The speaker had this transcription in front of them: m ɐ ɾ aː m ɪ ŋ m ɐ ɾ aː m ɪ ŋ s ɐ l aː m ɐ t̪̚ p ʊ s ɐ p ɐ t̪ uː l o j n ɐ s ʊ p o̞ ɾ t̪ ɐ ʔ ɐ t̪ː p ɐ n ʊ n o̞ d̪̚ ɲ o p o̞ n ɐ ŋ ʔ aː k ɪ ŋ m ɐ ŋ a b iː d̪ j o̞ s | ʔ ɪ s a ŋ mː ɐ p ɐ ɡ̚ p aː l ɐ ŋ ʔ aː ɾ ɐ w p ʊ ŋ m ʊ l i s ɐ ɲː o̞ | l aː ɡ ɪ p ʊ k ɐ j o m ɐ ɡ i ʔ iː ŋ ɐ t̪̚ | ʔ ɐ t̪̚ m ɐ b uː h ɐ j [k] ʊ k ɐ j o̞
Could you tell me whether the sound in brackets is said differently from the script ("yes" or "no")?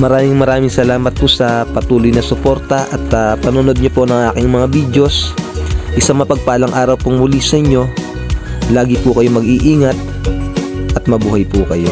yes